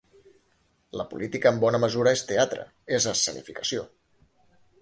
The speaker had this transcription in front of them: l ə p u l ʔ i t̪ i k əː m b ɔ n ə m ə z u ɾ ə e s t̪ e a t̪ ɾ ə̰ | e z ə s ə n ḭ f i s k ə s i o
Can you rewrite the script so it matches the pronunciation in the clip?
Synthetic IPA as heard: l ə p u l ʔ i t̪ i k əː m b ɔ n ə m ə z u ɾ ə e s t̪ e a t̪ ɾ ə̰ | e z ə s ə n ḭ f i k ə s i o